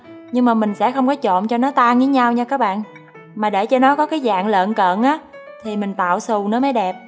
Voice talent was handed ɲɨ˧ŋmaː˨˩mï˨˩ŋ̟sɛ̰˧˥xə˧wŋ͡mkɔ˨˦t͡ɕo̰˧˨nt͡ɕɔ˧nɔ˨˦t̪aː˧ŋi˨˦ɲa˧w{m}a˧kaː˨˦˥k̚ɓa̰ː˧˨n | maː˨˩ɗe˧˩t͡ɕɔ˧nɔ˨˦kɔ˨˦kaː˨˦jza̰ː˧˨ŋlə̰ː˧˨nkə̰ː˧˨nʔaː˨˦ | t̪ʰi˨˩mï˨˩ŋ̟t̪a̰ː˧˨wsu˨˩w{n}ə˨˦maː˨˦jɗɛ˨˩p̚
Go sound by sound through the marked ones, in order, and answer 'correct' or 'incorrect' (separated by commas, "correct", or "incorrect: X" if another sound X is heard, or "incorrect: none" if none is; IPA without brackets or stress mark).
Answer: incorrect: ɲ, correct